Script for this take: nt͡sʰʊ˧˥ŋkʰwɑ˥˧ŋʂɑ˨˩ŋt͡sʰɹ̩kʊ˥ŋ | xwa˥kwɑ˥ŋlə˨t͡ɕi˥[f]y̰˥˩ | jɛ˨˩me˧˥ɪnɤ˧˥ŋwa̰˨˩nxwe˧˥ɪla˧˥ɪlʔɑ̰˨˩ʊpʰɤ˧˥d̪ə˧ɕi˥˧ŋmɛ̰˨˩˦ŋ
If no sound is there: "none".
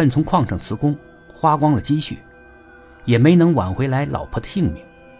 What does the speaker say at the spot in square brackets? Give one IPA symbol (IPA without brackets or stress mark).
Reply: ɕ